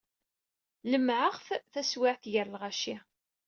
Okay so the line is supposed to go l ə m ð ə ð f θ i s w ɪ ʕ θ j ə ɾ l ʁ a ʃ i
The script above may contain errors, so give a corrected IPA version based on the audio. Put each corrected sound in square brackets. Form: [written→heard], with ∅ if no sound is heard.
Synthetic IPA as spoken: l ə m [ð→ʕ] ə [ð→ʁ] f θ [i→æ] s w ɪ ʕ θ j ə ɾ l ʁ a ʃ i